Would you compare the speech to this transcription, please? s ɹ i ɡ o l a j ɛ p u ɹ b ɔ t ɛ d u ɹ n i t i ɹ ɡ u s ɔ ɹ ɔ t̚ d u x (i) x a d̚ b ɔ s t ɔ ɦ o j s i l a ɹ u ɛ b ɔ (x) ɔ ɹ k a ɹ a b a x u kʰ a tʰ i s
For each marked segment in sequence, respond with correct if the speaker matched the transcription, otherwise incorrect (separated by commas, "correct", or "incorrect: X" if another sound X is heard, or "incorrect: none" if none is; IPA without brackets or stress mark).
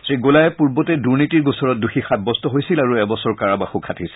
correct, incorrect: s